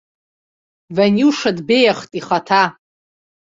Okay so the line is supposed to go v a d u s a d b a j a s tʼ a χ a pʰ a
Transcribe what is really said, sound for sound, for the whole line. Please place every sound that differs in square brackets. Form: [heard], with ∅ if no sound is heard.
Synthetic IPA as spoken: v a [n] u [ʂ] a d b [e] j a [χ] tʼ [i] χ a [tʰ] a